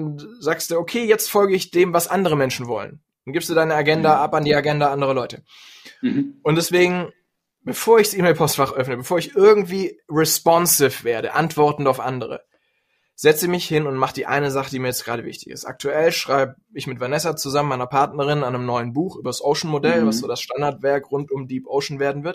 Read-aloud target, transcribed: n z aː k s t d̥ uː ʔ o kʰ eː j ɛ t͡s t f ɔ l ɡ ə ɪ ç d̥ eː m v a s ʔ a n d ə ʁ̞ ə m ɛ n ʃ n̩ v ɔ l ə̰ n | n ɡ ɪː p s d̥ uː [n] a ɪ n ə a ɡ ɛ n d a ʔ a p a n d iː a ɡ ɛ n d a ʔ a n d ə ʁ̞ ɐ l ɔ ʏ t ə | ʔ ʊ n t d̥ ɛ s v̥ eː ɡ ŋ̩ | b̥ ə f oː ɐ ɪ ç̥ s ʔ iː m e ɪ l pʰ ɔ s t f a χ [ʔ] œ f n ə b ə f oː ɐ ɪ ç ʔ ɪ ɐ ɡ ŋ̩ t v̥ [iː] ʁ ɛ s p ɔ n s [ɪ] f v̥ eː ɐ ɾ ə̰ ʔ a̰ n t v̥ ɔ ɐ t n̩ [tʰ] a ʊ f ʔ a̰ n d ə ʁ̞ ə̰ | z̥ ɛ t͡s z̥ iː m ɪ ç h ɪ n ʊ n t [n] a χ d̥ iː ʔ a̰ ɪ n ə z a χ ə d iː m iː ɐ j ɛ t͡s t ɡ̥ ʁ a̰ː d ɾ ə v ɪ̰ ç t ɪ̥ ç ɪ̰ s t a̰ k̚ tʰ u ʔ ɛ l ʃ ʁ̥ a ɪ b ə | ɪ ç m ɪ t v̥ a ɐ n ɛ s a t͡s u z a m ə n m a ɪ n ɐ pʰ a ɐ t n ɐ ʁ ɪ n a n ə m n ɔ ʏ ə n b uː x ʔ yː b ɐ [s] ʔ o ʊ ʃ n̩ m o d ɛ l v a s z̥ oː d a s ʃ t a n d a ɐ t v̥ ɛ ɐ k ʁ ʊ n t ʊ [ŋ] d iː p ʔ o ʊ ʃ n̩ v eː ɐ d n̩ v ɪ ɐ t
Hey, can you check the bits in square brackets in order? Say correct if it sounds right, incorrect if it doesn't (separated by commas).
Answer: incorrect, correct, correct, correct, incorrect, incorrect, correct, incorrect